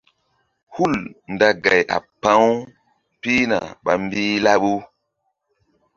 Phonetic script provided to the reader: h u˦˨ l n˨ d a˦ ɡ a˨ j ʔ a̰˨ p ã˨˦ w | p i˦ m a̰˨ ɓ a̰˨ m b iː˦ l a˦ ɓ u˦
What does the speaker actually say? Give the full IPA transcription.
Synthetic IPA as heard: h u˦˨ l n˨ d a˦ ɡ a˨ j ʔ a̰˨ p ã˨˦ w | p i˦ n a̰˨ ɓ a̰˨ m b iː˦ l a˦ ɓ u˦